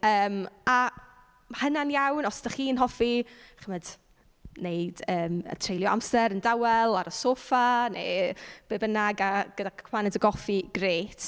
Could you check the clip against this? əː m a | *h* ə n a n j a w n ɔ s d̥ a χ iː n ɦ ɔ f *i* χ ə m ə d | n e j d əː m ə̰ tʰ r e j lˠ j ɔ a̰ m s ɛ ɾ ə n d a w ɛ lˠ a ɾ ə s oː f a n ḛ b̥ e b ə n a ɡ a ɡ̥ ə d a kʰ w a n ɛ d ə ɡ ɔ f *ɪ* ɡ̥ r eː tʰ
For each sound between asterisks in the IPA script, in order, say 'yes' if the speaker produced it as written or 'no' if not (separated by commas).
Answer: yes, yes, no